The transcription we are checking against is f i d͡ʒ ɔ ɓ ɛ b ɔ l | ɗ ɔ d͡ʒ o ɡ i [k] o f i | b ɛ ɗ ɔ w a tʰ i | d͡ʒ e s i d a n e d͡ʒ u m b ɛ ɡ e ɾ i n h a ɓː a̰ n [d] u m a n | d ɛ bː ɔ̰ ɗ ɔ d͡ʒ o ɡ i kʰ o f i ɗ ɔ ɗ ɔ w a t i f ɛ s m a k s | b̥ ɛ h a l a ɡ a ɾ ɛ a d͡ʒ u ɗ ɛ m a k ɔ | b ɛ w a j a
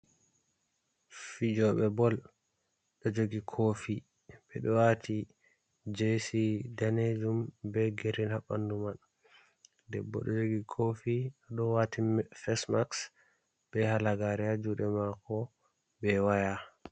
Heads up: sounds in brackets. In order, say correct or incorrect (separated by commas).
incorrect, correct